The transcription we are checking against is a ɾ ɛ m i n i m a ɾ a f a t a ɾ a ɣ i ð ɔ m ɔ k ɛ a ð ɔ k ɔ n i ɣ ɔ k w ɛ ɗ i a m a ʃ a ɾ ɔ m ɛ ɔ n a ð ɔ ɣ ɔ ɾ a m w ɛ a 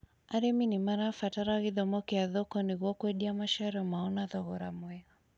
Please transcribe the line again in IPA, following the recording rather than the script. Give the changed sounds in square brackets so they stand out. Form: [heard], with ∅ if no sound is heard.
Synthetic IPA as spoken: a ɾ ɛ m i n i m a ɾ a f a t a ɾ a ɣ i ð ɔ m ɔ k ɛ a ð ɔ k ɔ n i ɣ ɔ k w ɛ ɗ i a m a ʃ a ɾ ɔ m [a] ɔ n a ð ɔ ɣ ɔ ɾ a m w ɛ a

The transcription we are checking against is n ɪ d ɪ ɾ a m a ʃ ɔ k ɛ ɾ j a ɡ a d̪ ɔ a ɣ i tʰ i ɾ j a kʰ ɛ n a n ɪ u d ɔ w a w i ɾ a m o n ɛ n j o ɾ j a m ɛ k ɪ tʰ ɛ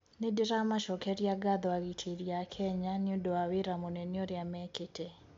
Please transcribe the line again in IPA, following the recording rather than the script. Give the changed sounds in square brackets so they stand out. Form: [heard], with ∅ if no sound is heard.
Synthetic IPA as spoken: n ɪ d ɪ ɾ a m a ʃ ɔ k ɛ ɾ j a ɡ a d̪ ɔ a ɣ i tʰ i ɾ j a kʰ ɛ [ɲ] a n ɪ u d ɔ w a w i ɾ a m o n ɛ n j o ɾ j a m ɛ k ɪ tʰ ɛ

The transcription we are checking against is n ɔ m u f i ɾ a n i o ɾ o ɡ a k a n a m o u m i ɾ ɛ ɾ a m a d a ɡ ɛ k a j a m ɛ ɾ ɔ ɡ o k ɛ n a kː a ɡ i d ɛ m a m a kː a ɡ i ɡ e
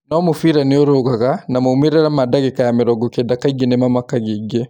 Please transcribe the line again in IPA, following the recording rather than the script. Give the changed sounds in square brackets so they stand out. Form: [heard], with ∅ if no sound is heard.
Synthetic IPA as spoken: n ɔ m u f i ɾ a n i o ɾ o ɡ a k a n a m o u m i ɾ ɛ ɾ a m a d a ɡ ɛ k a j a m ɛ ɾ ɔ ɡ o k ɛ [d] a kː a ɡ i [n] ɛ m a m a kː a ɡ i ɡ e

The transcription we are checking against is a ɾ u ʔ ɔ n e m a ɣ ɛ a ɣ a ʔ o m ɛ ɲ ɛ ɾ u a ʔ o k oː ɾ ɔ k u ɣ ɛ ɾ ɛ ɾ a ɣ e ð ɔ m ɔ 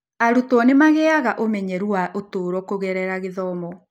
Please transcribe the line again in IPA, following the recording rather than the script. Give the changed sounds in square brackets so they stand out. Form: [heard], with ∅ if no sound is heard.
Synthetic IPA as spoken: a ɾ u [t] ɔ n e m a ɣ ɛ a ɣ a ʔ o m ɛ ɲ ɛ ɾ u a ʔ o [t] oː ɾ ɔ k [o] ɣ ɛ ɾ ɛ ɾ a ɣ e ð ɔ m ɔ

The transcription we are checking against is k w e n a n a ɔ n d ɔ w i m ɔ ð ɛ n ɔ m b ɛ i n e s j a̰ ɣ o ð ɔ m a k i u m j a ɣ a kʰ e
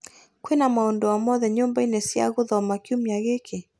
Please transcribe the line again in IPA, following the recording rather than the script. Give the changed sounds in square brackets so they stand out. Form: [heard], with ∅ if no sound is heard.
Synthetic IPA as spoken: k w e n a [m] a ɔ n d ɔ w [a] m ɔ ð ɛ [ɲ] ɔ m b [a] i n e s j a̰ ɣ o ð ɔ m a k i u m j a ɣ [e] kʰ e

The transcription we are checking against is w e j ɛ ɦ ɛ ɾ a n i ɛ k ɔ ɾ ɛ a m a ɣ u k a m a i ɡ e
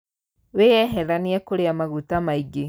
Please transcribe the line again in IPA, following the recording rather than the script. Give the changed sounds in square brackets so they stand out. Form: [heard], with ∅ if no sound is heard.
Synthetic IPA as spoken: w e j ɛ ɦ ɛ ɾ a n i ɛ k [o] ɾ [e] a m a ɣ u [t] a m a i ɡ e

